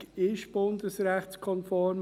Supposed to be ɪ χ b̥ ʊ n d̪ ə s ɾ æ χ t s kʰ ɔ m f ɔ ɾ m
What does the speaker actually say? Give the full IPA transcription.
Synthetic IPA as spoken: ɪ ʃ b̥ ʊ n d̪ ə s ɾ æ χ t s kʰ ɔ n f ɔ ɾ m